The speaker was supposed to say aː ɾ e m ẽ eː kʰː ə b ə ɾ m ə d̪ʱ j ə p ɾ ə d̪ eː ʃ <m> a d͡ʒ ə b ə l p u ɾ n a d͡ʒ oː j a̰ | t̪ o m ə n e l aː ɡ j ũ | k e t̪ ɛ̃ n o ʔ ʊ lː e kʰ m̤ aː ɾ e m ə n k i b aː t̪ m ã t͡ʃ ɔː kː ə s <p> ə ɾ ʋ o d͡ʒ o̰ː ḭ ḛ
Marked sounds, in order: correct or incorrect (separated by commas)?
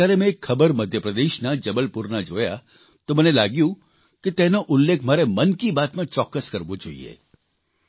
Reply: incorrect, incorrect